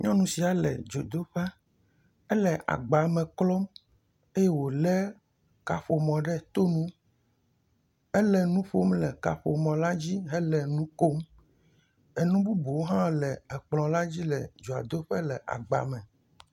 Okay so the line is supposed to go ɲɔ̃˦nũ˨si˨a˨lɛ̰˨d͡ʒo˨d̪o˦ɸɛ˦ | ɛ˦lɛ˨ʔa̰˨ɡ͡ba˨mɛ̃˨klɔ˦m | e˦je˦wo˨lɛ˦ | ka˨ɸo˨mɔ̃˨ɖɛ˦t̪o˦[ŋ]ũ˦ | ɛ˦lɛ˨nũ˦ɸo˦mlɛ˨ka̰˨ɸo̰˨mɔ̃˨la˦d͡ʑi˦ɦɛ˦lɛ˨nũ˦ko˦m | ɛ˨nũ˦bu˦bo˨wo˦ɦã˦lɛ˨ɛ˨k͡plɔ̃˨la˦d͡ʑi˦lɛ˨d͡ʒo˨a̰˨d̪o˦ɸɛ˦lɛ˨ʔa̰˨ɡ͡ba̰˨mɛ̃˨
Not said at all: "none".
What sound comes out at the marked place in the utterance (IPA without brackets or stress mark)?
n